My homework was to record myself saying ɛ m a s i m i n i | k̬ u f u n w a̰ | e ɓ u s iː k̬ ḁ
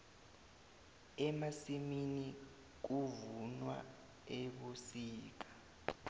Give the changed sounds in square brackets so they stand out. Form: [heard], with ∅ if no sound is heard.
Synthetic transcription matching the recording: ɛ m a s i m i n i | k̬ u [v] u n w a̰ | e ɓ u s iː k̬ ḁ